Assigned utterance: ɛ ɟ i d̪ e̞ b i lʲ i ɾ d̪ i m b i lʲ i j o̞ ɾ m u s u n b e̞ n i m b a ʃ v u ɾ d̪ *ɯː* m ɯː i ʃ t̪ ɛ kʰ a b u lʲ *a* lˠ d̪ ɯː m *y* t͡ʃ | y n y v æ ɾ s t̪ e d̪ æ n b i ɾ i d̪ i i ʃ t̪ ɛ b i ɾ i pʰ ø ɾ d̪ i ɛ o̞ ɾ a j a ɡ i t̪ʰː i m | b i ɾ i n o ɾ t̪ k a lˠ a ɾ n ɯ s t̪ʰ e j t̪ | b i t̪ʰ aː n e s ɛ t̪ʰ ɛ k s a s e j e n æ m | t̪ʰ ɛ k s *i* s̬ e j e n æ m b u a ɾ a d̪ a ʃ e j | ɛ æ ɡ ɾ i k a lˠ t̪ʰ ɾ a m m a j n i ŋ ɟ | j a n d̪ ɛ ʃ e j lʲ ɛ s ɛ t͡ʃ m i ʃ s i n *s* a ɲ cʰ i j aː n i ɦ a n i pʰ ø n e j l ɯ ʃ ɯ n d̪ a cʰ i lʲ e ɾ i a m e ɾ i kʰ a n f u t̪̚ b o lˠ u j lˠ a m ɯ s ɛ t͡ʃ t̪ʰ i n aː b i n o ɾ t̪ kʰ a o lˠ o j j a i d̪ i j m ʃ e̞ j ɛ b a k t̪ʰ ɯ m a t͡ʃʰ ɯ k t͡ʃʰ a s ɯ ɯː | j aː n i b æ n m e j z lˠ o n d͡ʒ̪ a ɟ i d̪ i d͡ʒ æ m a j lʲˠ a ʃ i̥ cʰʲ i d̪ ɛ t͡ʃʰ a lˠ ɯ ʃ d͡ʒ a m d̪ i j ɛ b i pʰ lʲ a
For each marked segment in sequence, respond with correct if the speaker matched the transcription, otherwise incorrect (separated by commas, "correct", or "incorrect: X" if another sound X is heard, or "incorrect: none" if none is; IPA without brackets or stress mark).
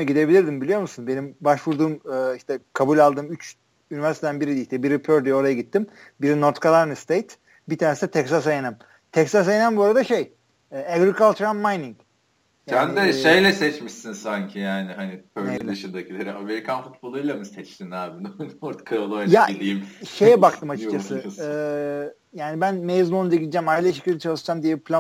incorrect: uː, correct, correct, incorrect: a, correct